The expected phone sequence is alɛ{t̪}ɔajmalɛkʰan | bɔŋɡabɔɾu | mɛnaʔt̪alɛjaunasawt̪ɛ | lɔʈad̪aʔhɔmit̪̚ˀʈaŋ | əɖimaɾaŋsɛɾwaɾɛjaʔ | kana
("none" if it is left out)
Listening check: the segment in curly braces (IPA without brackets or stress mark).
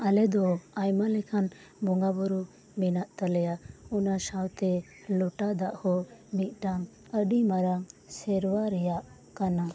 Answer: d̪